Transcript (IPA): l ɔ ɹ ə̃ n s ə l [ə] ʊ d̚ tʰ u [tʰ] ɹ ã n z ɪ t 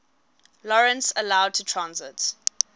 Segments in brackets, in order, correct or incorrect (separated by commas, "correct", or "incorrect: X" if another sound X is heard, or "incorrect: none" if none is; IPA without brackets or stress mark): incorrect: a, correct